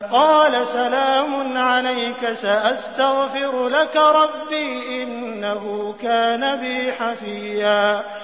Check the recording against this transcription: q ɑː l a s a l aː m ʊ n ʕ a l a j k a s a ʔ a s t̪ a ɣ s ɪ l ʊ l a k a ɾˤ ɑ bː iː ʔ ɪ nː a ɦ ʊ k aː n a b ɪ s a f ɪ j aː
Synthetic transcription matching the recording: q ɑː l a s a l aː m ʊ n ʕ a l a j k a s a ʔ a s t̪ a ɣ f ɪ ɾ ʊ l a k a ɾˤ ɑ bː iː ʔ ɪ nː a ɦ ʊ k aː n a b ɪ ħ a f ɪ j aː